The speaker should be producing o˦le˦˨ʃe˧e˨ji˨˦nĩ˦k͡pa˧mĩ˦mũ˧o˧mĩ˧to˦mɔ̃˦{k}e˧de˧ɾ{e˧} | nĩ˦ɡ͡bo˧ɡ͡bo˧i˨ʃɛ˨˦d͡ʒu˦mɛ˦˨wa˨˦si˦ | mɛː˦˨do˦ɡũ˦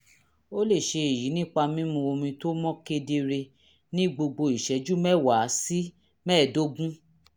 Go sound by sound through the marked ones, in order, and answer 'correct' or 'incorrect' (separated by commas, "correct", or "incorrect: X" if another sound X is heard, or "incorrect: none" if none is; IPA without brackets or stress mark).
correct, correct